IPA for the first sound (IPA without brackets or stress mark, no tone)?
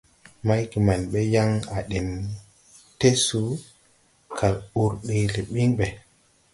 m